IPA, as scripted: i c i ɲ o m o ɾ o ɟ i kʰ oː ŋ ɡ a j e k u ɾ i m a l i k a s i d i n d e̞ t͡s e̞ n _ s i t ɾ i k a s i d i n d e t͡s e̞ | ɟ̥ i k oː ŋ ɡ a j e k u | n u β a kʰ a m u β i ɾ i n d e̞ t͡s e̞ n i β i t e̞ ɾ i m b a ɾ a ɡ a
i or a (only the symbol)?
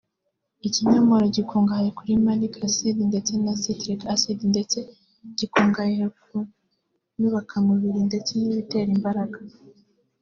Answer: a